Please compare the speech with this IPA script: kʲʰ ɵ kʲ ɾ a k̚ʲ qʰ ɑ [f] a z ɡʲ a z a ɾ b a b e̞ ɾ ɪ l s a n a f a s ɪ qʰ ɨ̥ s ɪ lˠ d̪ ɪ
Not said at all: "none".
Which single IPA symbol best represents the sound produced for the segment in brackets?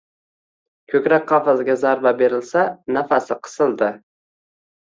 f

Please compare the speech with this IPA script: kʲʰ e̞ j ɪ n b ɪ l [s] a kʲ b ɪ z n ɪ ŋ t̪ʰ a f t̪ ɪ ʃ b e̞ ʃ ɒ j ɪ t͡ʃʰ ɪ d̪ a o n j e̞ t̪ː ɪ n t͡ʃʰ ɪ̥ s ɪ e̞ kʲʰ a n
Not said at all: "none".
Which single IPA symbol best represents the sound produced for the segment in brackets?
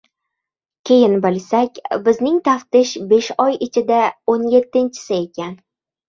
s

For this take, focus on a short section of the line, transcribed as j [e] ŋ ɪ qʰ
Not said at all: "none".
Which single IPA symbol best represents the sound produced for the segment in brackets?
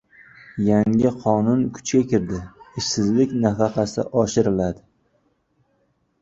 a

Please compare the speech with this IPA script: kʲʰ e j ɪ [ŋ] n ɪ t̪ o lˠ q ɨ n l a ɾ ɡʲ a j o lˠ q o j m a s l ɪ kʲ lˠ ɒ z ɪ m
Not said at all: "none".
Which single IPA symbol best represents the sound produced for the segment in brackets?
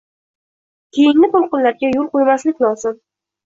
ŋ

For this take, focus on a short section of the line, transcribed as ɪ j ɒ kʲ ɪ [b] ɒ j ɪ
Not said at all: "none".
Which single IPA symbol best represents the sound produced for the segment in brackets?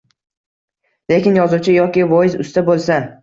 v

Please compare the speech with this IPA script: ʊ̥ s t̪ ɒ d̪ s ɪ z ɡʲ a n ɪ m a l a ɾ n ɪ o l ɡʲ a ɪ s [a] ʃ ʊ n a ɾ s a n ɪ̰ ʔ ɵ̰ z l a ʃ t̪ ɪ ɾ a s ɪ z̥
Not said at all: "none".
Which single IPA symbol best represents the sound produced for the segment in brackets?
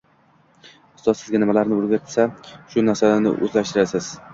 a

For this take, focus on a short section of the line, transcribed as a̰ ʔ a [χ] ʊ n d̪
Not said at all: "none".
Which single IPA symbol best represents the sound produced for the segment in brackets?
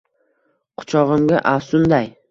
s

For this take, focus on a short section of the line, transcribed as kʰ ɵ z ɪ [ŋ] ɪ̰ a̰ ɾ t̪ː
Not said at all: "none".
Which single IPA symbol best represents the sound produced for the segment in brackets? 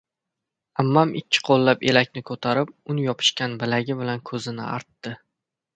n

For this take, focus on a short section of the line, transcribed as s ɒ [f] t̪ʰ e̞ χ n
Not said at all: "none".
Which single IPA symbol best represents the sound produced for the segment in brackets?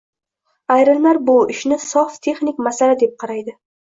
f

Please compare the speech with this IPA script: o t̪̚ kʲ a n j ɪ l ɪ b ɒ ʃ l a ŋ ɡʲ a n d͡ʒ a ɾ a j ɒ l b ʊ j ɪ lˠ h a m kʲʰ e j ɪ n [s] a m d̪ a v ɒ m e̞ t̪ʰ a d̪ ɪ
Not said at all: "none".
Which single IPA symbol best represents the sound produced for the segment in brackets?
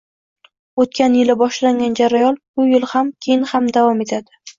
h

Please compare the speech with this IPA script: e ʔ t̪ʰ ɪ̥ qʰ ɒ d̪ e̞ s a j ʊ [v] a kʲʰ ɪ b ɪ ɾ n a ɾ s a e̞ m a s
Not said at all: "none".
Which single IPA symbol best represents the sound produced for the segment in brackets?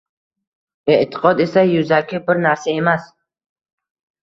z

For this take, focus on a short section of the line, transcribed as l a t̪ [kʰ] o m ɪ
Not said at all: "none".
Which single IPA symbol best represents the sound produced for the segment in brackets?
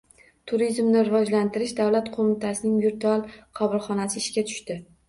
qʰ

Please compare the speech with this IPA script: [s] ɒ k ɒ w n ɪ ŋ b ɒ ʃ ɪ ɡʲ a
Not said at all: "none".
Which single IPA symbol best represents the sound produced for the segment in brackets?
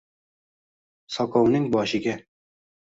s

